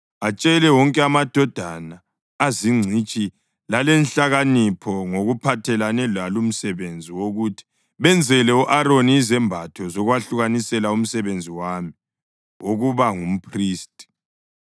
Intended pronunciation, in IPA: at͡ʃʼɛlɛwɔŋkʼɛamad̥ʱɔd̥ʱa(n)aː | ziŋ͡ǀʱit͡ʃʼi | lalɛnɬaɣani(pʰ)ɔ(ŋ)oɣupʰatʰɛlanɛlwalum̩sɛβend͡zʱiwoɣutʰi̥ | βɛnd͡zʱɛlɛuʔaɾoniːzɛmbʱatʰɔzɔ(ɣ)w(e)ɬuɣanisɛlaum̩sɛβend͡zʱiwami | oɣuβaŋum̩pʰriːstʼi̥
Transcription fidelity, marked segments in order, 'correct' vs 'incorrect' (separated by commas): correct, correct, correct, correct, incorrect